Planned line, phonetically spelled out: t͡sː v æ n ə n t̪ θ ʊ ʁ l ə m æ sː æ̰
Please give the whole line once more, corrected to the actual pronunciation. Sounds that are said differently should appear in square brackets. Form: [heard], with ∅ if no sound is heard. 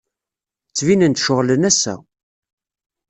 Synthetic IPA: t͡sː v [i] n ə n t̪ [ʃ] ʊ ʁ l ə [n] æ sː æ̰